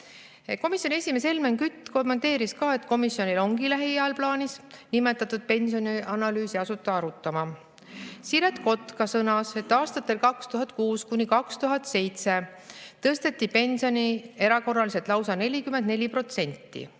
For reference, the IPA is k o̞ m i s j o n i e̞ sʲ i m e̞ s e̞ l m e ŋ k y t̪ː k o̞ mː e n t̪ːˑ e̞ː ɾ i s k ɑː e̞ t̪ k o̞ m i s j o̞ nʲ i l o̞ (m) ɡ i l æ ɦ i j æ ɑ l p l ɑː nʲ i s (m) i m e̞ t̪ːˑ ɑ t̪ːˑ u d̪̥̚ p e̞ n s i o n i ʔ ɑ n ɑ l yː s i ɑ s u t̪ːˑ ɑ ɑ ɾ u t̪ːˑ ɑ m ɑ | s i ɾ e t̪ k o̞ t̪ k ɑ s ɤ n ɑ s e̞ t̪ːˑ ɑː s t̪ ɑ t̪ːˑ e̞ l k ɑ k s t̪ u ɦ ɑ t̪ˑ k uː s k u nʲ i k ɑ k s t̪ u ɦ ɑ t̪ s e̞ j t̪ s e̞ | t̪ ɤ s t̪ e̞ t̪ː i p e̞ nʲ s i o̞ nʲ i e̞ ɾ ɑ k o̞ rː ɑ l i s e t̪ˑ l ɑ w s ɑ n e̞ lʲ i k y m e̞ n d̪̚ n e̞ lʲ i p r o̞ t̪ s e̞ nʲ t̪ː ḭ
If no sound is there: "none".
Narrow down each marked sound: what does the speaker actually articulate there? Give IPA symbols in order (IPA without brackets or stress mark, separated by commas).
ŋ, n